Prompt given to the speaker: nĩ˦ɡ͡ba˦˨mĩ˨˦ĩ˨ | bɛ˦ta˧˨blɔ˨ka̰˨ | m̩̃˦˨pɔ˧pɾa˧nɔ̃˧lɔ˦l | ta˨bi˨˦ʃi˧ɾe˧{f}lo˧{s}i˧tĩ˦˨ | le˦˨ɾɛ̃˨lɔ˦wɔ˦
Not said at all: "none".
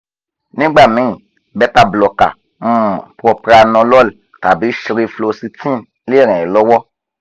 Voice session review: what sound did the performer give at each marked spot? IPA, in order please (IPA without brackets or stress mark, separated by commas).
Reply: f, s